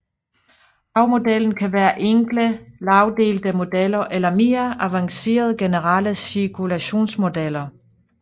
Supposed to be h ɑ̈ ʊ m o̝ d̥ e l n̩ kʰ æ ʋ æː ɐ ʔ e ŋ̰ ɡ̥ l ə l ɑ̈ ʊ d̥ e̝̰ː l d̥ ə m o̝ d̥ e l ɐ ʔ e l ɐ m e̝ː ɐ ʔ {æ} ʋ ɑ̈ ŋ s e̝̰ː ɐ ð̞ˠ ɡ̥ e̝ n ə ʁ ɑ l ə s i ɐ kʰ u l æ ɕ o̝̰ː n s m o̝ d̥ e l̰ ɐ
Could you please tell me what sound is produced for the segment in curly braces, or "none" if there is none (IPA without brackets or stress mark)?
æ